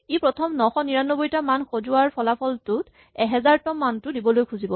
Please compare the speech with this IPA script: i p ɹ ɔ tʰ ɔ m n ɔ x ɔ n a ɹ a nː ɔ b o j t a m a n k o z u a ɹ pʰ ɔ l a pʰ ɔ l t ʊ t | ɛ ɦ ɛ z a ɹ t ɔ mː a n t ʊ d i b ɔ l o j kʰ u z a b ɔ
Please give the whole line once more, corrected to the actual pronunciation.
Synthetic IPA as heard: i p ɹ ɔ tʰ ɔ m n ɔ x ɔ n i ɹ a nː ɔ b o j t a m a n x o z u a ɹ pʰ ɔ l a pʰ ɔ l t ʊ t | ɛ ɦ ɛ z a ɹ t ɔ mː a n t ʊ d i b ɔ l o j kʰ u z i b ɔ

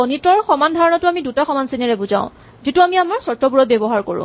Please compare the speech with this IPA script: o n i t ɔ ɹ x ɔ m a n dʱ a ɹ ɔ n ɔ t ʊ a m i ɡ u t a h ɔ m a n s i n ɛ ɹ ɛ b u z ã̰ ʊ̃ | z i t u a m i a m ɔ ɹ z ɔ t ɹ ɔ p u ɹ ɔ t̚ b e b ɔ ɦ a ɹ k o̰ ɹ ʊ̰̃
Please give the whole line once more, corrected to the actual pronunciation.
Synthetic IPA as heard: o n i t ɔ ɹ x ɔ m a n dʱ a ɹ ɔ n ɔ t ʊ a m i d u t a x ɔ m a n s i n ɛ ɹ ɛ b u z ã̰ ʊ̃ | z i t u a m i a m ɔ ɹ s ɔ t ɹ ɔ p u ɹ ɔ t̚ b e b ɔ ɦ a ɹ k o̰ ɹ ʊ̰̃

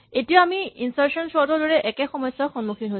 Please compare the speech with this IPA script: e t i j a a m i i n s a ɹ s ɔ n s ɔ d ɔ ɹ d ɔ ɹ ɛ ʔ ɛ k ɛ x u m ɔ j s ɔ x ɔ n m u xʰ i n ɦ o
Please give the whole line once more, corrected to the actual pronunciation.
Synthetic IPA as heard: e t i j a a m i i n s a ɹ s ɔ n s ɔ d ɔ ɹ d ɔ ɹ ɛ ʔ ɛ k ɛ x ɔ m ɔ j s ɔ x ɔ n m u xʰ i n ɦ o

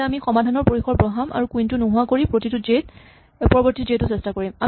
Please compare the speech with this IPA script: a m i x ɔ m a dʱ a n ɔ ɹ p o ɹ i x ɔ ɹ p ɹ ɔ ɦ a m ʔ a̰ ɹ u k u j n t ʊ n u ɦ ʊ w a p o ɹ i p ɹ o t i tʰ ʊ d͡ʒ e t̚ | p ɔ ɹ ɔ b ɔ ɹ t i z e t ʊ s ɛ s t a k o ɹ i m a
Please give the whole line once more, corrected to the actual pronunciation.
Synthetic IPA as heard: a m i x ɔ m a dʱ a n ɔ ɹ p o ɹ i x ɔ ɹ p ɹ ɔ ɦ a m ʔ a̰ ɹ u k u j n t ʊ n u ɦ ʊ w a k o ɹ i p ɹ o t i t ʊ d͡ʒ e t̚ | p ɔ ɹ ɔ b ɔ ɹ t i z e t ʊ s ɛ s t a k o ɹ i m a

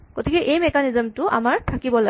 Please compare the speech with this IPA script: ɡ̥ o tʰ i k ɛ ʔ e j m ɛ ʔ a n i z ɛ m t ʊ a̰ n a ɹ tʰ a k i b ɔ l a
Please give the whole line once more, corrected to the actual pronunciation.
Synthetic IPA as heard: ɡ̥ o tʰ i k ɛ ʔ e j m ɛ k a n i z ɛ m t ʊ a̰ m a ɹ tʰ a k i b ɔ l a

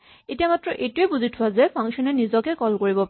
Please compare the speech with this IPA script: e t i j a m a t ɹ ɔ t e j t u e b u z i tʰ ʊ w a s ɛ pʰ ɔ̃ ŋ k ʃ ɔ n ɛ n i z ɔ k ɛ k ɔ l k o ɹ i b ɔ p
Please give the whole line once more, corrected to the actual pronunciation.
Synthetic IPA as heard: e t i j a m a t ɹ ɔ ʔ e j t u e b u z i tʰ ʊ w a z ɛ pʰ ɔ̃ ŋ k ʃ ɔ n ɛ n i z ɔ k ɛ k ɔ l k o ɹ i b ɔ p

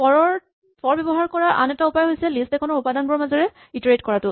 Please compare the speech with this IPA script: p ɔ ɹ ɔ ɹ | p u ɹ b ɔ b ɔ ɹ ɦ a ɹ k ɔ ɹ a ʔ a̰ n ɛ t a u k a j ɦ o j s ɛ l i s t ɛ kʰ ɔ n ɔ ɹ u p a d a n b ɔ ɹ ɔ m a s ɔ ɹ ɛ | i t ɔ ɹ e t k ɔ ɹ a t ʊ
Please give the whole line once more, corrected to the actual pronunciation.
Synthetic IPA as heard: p ɔ ɹ ɔ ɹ | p ɔ ɹ b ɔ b ɔ ɦ a ɹ k ɔ ɹ a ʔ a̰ n ɛ t a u p a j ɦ o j s ɛ l i s t ɛ kʰ ɔ n ɔ ɹ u p a d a n b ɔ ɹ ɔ m a z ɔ ɹ ɛ | i t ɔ ɹ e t k ɔ ɹ a t ʊ

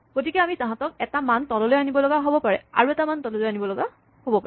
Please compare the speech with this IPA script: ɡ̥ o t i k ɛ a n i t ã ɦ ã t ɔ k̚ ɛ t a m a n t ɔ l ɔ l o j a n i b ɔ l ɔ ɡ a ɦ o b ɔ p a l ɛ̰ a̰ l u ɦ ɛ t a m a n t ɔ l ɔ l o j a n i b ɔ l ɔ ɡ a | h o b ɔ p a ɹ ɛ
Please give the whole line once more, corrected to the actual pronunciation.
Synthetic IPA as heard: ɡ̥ o t i k ɛ a m i t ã ɦ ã t ɔ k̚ ɛ t a m a n t ɔ l ɔ l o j a n i b ɔ l ɔ ɡ a ɦ o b ɔ p a ɹ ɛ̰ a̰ ɹ u ɛ t a m a n t ɔ l ɔ l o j a n i b ɔ l ɔ ɡ a | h o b ɔ p a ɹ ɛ

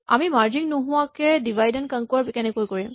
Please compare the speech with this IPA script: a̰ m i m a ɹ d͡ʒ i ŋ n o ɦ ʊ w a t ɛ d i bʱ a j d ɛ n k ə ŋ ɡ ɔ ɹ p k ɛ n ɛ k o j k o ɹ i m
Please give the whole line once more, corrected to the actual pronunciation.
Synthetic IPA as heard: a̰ m i m a ɹ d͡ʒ i ŋ n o ɦ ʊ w a k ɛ d i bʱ a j d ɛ n k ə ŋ k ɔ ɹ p k ɛ n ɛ k o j k o ɹ i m

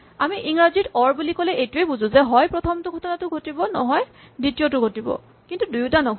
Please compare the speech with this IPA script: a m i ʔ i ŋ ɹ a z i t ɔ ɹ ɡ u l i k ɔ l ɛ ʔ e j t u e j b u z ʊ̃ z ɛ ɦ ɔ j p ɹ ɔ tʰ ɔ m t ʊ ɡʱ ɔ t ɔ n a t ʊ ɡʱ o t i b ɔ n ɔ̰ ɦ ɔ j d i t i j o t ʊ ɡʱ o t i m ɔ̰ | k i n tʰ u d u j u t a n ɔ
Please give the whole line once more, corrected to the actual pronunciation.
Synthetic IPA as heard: a m i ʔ i ŋ ɹ a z i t ɔ ɹ b u l i k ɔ l ɛ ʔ e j t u e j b u z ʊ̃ z ɛ ɦ ɔ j p ɹ ɔ tʰ ɔ m t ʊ ɡʱ ɔ t ɔ n a t ʊ ɡʱ o t i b ɔ n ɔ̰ ɦ ɔ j d i t i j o t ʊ ɡʱ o t i b ɔ̰ | k i n t u d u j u t a n ɔ

